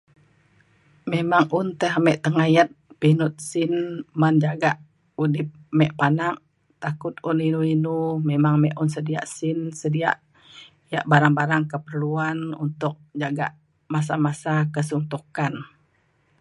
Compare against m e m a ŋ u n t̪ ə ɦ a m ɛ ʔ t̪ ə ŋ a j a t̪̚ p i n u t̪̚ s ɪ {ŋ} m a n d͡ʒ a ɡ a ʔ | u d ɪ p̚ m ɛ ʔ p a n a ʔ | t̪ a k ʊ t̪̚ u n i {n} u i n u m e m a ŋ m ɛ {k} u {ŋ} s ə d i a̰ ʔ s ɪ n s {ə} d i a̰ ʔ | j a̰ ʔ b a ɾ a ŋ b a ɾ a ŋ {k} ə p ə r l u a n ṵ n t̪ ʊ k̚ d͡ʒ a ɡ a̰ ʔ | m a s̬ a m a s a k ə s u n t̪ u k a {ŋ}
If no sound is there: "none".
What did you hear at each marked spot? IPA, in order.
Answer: n, n, ʔ, n, ə, k, n

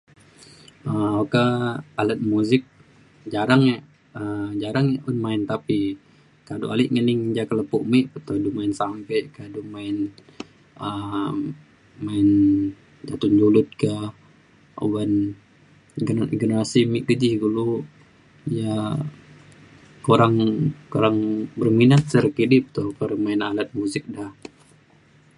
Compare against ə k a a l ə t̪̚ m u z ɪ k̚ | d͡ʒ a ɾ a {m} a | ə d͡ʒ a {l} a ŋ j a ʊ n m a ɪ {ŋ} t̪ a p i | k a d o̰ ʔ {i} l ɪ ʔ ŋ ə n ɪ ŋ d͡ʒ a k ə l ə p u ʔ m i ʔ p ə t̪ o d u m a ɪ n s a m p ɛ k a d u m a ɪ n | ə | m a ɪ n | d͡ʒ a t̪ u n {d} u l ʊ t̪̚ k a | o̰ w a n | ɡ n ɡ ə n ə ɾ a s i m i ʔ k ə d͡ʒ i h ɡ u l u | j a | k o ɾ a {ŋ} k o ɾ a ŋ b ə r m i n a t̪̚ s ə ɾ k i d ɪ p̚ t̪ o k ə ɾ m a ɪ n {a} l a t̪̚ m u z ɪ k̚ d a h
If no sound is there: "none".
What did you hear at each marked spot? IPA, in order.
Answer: ŋ, ɾ, n, a, d͡ʒ, ŋ, a

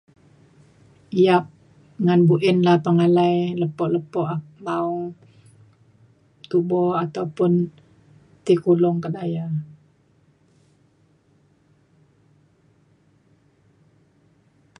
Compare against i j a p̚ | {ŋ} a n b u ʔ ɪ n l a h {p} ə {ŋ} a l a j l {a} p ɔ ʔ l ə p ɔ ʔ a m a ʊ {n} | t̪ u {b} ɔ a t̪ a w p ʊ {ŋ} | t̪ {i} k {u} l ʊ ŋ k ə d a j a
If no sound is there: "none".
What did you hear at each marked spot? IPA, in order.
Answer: ŋ, p, ŋ, ə, ŋ, b, n, i, u

